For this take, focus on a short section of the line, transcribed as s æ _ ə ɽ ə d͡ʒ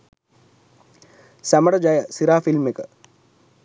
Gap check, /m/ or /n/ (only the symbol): m